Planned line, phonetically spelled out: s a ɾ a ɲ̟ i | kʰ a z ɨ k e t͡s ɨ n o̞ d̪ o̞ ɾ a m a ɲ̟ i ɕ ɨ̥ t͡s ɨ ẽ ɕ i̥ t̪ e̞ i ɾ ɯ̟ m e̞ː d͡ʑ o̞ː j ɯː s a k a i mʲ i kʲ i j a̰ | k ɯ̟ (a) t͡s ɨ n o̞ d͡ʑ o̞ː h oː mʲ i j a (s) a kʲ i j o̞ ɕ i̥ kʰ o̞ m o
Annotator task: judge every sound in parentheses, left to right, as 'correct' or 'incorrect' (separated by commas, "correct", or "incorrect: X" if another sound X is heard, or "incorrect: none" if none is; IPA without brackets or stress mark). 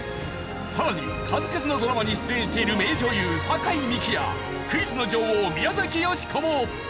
incorrect: i, incorrect: z